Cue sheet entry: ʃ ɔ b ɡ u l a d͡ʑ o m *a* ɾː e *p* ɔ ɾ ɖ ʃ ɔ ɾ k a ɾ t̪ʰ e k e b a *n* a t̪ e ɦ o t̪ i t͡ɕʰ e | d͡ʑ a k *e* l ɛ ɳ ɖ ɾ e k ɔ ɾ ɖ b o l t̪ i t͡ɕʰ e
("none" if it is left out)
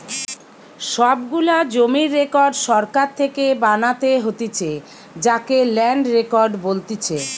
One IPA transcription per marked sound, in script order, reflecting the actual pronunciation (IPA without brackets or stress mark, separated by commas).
i, k, n, e